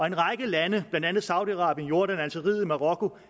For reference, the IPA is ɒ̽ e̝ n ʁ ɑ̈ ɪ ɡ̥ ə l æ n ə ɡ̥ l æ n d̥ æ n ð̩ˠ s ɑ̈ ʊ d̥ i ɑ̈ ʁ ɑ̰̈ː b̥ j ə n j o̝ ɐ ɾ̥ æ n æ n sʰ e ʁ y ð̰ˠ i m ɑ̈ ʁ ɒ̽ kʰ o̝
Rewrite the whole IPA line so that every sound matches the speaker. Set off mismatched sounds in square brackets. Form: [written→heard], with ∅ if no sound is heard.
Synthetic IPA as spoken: ɒ̽ e̝ n ʁ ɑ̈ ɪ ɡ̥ ə l æ n ə [ɡ̥→b̥] l æ n d̥ æ n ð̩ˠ s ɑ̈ ʊ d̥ i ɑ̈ ʁ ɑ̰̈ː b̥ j ə n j o̝ ɐ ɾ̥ æ n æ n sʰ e ʁ [y→i] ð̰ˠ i m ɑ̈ ʁ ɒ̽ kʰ o̝